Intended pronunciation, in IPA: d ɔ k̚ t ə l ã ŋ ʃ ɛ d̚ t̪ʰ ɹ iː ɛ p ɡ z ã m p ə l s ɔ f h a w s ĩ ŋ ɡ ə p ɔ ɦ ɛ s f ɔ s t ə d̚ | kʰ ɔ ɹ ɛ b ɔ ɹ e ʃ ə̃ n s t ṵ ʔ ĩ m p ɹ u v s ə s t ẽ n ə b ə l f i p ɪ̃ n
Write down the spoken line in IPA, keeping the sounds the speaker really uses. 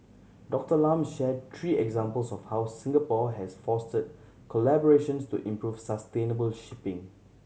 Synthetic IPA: d ɔ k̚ t ə l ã m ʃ ɛ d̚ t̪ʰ ɹ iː ɛ ɡ z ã m p ə l s ɔ f h a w s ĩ ŋ ɡ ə p ɔ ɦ ɛ s f ɔ s t ə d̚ | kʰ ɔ l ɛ b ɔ ɹ e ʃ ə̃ n s t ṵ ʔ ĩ m p ɹ u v s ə s t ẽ n ə b ə l ʃ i p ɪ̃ ŋ